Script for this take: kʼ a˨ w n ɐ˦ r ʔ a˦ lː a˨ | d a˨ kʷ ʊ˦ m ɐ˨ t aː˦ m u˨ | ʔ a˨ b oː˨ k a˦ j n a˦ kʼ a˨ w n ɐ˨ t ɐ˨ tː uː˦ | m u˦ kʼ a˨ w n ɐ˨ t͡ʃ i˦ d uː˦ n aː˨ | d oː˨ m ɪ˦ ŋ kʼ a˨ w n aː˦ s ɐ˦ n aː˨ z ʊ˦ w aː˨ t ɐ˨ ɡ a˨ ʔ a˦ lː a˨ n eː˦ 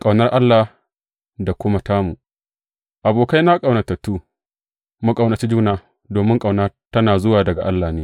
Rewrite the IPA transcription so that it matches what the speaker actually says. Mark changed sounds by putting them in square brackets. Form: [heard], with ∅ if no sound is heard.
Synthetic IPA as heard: kʼ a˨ w n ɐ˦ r ʔ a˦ lː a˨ | d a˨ kʷ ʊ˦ m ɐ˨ t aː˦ m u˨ | ʔ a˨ b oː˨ k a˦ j n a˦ kʼ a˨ w n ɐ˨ t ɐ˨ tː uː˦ | m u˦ kʼ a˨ w n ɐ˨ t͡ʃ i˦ [d͡ʒ] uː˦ n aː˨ | d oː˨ m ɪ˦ ŋ kʼ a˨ w n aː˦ [t] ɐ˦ n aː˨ z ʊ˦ w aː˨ [d] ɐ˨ ɡ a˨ ʔ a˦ lː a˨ n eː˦